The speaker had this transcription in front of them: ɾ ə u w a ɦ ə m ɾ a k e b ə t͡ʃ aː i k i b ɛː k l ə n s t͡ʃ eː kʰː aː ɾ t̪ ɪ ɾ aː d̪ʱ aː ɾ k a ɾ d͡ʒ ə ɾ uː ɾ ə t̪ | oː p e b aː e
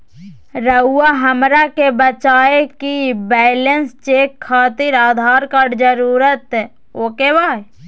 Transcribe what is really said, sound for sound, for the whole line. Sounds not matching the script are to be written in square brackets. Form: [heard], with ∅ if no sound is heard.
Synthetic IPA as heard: ɾ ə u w a ɦ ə m ɾ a k e b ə t͡ʃ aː [e] k i b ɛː [∅] l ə n s t͡ʃ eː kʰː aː [∅] t̪ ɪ ɾ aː d̪ʱ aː ɾ k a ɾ d͡ʒ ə ɾ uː ɾ ə t̪ | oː [k] e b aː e